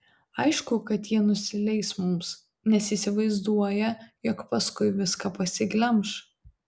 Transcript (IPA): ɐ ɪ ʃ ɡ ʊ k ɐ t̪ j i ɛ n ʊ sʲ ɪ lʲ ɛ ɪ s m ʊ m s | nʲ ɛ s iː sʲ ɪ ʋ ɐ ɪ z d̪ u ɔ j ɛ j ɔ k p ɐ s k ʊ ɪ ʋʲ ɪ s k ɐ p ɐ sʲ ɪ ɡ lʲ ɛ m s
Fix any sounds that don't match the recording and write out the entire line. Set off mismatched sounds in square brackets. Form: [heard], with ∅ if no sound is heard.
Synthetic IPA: ɐ ɪ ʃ [k] ʊ k ɐ t̪ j i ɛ n ʊ sʲ ɪ lʲ ɛ ɪ s m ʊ m s | nʲ ɛ s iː sʲ ɪ ʋ ɐ ɪ z d̪ u ɔ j ɛ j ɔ k p ɐ s k ʊ ɪ ʋʲ ɪ s k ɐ p ɐ sʲ ɪ ɡ lʲ ɛ m [ʃ]

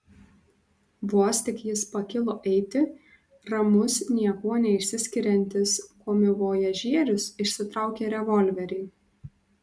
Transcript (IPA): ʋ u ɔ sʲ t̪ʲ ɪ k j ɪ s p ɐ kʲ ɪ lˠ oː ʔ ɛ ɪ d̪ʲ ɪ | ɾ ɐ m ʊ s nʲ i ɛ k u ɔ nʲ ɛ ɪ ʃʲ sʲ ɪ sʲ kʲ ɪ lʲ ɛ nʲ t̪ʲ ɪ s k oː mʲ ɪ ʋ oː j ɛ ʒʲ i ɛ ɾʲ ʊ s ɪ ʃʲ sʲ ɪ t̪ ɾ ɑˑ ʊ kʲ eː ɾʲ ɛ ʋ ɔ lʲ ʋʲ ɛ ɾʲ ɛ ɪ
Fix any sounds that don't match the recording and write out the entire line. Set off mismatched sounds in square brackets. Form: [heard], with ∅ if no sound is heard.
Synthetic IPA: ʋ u ɔ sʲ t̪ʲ ɪ k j ɪ s p ɐ kʲ ɪ lˠ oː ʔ ɛ ɪ [t̪ʲ] ɪ | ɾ ɐ m ʊ s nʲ i ɛ k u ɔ nʲ ɛ ɪ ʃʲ sʲ ɪ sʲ kʲ ɪ [ɾʲ] ɛ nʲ t̪ʲ ɪ s k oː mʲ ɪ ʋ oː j ɛ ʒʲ i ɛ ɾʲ ʊ s ɪ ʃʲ sʲ ɪ t̪ ɾ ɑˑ ʊ kʲ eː ɾʲ ɛ ʋ ɔ lʲ ʋʲ ɛ ɾʲ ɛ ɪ

